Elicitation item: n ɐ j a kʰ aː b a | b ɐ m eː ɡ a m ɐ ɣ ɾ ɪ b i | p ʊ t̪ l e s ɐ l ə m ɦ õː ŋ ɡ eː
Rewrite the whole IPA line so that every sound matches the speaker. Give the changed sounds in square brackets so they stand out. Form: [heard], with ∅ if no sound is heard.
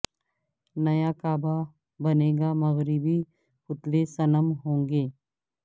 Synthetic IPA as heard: n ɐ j a [k] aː b a | b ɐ [n] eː ɡ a m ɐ ɣ ɾ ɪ b i | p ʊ t̪ l e s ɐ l ə m ɦ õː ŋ ɡ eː